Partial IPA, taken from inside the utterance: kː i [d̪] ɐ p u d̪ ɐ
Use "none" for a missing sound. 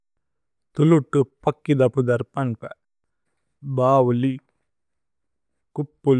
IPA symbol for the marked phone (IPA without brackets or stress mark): d̪